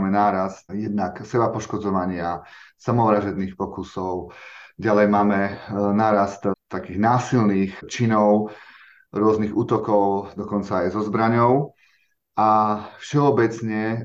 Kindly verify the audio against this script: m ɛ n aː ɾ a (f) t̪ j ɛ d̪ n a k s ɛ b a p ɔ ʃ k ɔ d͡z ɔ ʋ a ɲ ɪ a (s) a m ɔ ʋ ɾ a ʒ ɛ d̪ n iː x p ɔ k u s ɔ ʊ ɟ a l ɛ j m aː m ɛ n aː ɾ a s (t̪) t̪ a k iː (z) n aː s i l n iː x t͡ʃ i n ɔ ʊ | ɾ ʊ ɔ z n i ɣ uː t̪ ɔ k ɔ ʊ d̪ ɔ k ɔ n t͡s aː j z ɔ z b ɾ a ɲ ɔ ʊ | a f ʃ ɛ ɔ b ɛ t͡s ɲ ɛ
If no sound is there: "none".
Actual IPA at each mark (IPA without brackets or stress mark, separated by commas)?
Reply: s, s, t̪, ɣ